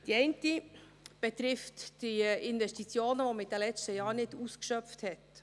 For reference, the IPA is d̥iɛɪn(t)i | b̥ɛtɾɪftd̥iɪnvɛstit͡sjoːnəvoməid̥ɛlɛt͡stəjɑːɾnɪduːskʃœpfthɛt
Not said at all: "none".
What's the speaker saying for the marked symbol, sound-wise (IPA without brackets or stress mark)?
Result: t